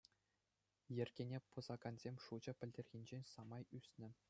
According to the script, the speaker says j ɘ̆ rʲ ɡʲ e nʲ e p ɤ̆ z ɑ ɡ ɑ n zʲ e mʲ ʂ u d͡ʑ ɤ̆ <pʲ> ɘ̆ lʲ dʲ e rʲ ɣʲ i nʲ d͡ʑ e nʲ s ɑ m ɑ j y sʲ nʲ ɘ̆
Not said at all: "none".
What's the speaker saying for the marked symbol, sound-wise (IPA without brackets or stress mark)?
pʲ